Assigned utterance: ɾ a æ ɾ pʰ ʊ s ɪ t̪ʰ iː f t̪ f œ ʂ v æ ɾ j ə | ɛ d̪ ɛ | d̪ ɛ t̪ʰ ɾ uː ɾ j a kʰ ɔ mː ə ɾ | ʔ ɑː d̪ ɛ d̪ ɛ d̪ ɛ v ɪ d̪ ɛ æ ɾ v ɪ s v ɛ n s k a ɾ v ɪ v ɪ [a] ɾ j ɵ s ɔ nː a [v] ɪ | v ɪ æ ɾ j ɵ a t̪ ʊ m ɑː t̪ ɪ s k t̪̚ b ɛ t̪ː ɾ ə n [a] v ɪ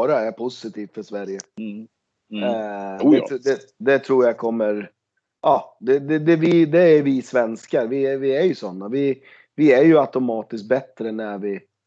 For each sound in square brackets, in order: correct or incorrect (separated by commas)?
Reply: incorrect, correct, incorrect